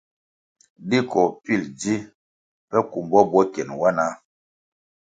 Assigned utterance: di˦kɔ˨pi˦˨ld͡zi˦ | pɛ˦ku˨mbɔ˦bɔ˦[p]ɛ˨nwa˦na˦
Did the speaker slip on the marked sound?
yes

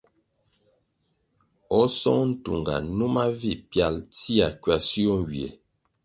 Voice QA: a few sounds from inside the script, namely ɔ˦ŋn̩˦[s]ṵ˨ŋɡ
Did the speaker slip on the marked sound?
yes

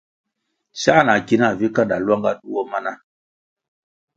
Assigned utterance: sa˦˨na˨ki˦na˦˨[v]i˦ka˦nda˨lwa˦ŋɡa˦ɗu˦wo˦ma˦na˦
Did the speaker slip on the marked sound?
no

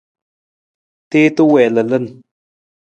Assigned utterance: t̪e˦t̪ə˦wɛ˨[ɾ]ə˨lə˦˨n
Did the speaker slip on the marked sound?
yes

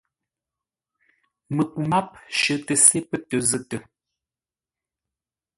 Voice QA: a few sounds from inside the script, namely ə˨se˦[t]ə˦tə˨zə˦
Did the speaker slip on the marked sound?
yes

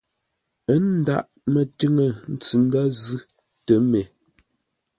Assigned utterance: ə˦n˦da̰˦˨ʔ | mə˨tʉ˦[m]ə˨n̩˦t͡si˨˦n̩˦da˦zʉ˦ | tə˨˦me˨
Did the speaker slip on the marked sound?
yes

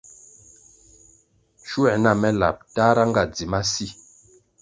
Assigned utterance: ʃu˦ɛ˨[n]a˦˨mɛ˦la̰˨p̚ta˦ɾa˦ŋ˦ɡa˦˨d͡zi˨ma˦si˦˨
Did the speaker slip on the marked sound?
no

